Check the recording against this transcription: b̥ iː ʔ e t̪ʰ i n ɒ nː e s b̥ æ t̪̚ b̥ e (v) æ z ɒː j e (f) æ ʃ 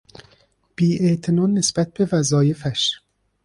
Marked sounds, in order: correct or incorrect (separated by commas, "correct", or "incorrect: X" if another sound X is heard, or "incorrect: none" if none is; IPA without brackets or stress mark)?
correct, correct